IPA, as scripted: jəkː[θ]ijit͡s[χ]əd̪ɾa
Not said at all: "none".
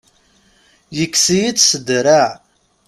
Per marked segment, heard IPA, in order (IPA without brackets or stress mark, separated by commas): s, s